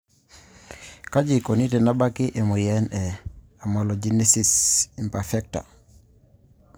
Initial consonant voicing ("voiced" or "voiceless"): voiceless